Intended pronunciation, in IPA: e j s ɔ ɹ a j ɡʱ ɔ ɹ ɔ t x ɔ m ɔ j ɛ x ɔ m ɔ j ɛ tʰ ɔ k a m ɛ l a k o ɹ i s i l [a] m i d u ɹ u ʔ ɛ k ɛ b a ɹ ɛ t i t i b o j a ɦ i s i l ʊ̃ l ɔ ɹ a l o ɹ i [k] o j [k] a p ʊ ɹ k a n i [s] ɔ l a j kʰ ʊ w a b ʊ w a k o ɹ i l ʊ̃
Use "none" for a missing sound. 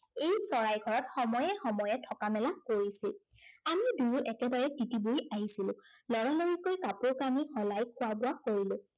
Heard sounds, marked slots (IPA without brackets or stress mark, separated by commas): a, k, k, x